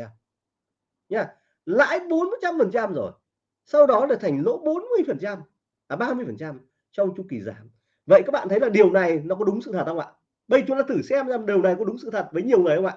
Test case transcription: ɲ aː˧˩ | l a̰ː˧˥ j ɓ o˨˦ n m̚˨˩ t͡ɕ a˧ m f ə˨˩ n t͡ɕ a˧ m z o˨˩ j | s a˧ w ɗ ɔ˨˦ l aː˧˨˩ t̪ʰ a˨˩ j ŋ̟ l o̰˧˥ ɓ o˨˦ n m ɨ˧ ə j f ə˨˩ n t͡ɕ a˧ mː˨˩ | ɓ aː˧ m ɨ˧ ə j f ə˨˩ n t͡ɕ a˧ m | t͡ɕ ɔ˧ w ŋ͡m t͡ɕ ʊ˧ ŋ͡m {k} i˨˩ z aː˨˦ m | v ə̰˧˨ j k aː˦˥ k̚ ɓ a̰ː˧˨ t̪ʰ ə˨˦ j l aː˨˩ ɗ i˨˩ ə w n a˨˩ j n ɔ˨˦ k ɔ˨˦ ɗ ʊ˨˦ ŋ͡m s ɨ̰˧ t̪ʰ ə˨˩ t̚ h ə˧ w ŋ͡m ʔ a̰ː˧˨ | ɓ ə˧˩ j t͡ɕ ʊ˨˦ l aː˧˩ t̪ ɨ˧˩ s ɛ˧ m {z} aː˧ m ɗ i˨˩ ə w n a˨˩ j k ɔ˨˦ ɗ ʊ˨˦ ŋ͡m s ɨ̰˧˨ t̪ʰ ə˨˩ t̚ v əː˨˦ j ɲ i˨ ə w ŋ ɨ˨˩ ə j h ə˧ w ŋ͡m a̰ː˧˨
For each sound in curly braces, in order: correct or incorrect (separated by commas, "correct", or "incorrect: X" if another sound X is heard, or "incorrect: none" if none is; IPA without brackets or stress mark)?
correct, correct